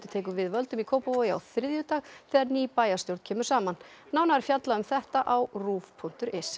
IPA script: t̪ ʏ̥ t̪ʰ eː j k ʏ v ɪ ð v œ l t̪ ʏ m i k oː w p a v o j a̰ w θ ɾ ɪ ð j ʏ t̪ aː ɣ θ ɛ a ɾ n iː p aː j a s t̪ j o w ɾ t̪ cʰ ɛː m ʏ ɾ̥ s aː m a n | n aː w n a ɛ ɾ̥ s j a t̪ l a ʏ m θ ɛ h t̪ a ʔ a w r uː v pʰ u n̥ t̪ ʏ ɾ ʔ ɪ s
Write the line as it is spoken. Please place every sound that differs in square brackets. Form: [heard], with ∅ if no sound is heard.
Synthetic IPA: t̪ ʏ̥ t̪ʰ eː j k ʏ v ɪ ð v œ l t̪ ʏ m i [kʰ] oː w p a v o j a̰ w θ ɾ ɪ ð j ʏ t̪ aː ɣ θ ɛ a ɾ n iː p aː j a s t̪ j o w ɾ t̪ cʰ ɛː m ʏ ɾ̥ s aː m a n | n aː w n a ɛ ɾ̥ [f] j a t̪ l a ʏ m θ ɛ h t̪ a ʔ a w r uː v pʰ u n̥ t̪ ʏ ɾ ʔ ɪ s

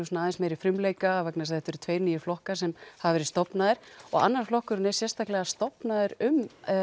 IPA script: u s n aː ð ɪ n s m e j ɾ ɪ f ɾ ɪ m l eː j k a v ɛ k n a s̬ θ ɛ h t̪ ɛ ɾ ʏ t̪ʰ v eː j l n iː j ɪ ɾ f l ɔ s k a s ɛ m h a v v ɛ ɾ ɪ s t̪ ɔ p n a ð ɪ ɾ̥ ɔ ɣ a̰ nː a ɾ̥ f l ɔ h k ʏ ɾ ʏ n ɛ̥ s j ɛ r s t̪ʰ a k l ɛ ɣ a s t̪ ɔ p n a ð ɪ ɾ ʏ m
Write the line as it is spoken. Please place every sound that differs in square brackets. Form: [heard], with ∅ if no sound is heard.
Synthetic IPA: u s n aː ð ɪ n s m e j ɾ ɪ f ɾ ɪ m l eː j k a v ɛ k n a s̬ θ ɛ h t̪ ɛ ɾ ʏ t̪ʰ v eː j [ɾ] n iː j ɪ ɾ f l ɔ [h] k a s ɛ m h a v v ɛ ɾ ɪ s t̪ ɔ p n a ð ɪ ɾ̥ ɔ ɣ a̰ nː a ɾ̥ f l ɔ h k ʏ ɾ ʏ n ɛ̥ s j ɛ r s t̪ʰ a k l ɛ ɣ a s t̪ ɔ p n a ð ɪ ɾ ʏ m

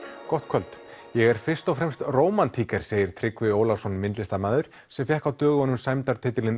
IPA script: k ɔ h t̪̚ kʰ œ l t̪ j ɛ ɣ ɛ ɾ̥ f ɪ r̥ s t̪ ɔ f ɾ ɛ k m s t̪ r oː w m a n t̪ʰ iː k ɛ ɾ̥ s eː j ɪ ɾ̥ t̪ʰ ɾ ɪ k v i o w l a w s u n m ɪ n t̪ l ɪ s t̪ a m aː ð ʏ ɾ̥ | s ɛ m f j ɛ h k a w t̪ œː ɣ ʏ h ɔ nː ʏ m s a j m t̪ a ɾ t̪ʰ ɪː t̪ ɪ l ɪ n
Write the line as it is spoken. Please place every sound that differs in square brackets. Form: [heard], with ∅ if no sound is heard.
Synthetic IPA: k ɔ h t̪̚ kʰ œ l t̪ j ɛ ɣ ɛ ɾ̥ f ɪ r̥ s t̪ ɔ f ɾ ɛ [∅] m s t̪ r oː w m a n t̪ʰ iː k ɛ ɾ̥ s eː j ɪ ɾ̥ t̪ʰ ɾ ɪ k v [ɪ] o w l a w s [ɔ] n m ɪ n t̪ l ɪ s t̪ a m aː ð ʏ ɾ̥ | s ɛ m f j ɛ h k a w t̪ œː ɣ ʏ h ɔ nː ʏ m s a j m t̪ a ɾ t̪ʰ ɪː t̪ ɪ l ɪ n

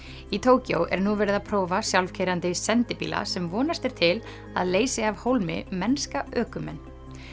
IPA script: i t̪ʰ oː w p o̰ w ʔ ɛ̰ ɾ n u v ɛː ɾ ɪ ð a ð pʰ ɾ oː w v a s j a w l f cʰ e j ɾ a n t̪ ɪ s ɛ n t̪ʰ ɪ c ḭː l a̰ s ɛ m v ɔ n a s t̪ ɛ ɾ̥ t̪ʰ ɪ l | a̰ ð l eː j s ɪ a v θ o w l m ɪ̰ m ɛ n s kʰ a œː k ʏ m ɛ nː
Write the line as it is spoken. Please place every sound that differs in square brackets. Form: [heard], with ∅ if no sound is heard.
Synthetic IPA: i t̪ʰ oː w [c] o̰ w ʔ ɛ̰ ɾ n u v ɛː ɾ ɪ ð a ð pʰ ɾ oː w v a s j a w l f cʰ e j ɾ a n t̪ ɪ s ɛ n [t̪] ɪ [p] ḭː l a̰ s ɛ m v [ɔː] n a s t̪ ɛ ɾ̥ t̪ʰ ɪ l | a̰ ð l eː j s ɪ a v [h] o w l m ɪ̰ m ɛ n s [k] a œː k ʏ m ɛ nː

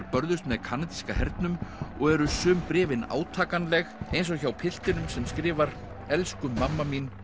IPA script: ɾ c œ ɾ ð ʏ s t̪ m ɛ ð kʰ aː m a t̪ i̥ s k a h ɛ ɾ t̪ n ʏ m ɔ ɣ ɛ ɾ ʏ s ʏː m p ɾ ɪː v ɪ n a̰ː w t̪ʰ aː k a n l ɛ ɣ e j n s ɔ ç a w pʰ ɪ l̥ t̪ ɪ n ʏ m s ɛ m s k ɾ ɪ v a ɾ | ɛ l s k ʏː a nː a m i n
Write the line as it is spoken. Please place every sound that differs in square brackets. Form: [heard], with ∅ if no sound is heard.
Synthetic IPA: ɾ [p] œ ɾ ð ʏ s t̪ m ɛ ð kʰ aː [n] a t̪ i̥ s k a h ɛ ɾ t̪ n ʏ m ɔ ɣ ɛ ɾ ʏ s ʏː m p ɾ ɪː v ɪ n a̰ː w t̪ʰ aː k a n l ɛ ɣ e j n s ɔ ç a w pʰ ɪ l̥ t̪ ɪ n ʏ m s ɛ m s k ɾ [ɪː] v a ɾ | ɛ l s k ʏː a [mː] a m i n

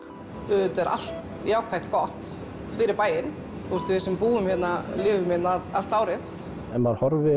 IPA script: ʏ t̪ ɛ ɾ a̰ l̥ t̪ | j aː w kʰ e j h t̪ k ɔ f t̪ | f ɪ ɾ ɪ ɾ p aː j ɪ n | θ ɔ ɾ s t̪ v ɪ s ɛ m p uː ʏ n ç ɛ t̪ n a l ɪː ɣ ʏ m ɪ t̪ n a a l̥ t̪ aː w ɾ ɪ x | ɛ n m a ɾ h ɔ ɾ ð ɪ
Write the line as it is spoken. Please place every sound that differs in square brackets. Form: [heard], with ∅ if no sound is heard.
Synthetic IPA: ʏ t̪ ɛ ɾ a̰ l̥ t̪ | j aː w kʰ [a] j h t̪ k ɔ [h] t̪ | f ɪ ɾ ɪ ɾ p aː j ɪ n | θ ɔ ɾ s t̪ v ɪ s ɛ m p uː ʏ [m] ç ɛ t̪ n a l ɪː [v] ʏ m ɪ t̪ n a a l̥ t̪ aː w ɾ ɪ [θ] | ɛ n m a ɾ h ɔ ɾ [v] ɪ

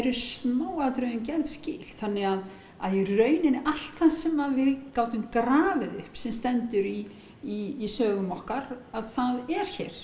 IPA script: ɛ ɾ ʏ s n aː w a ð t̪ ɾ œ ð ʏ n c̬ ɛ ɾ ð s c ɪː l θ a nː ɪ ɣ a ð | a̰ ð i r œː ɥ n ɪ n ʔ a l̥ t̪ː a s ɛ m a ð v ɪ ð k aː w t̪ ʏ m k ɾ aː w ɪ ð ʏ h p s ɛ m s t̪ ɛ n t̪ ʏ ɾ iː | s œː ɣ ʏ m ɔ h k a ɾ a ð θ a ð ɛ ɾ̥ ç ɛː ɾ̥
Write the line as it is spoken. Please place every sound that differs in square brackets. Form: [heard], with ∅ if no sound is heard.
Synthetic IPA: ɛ ɾ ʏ s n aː w a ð t̪ ɾ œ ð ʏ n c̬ ɛ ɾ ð s c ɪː l θ a nː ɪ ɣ a ð | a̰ ð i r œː ɥ n ɪ n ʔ a l̥ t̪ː a s ɛ m a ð v ɪ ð k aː w t̪ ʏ m k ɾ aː [v] ɪ ð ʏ h p s ɛ m s t̪ ɛ n t̪ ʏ ɾ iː | s œː ɣ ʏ m ɔ h k a ɾ a ð θ a ð ɛ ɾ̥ ç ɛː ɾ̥

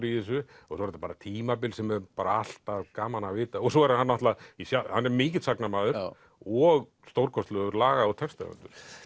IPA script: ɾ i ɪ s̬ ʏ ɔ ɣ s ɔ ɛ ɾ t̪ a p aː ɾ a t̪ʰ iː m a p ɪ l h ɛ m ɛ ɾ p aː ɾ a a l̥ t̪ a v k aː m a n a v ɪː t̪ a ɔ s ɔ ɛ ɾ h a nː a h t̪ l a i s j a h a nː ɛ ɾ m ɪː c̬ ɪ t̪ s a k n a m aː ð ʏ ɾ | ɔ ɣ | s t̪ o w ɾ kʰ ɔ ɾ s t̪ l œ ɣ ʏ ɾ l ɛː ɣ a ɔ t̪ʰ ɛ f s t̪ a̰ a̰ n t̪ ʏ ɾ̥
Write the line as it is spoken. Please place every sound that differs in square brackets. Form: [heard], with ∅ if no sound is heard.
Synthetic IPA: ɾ i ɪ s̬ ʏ ɔ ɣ s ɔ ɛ ɾ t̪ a p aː ɾ a t̪ʰ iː m a p ɪ l [s] ɛ m ɛ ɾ p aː ɾ a a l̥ t̪ a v k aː m a n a v ɪː t̪ a ɔ s ɔ ɛ ɾ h a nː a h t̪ l a i s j a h a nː ɛ ɾ m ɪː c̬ ɪ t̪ s a k n a m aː ð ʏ ɾ | ɔ ɣ | s t̪ o w ɾ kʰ ɔ [∅] s t̪ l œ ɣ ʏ ɾ l [aː] ɣ a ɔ t̪ʰ ɛ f s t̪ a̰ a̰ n t̪ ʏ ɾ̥

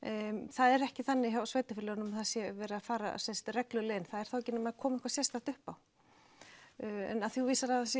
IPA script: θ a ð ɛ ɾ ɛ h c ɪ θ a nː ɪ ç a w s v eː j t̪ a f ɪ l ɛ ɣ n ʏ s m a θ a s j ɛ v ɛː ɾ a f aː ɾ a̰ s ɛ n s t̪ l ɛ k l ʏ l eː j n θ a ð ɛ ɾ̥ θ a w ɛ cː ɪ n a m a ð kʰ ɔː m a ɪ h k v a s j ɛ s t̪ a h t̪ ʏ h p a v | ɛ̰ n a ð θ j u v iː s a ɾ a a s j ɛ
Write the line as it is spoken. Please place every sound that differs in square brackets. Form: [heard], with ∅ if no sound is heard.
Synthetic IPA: θ a ð ɛ ɾ ɛ h c ɪ θ a nː ɪ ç a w s v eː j t̪ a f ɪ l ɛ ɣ n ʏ [∅] m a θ a s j ɛ v ɛː ɾ a f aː ɾ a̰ s ɛ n s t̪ [r] ɛ k l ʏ l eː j n θ a ð ɛ ɾ̥ θ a w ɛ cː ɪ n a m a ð kʰ ɔː m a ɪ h k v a s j ɛ s t̪ a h t̪ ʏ h p a [w] | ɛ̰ n a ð θ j u v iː s a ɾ a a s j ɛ

